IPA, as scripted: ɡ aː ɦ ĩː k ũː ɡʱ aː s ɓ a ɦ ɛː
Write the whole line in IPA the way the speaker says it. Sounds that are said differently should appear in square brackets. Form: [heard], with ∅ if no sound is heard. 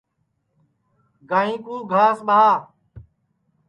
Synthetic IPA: ɡ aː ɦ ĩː k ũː ɡʱ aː s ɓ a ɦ [aː]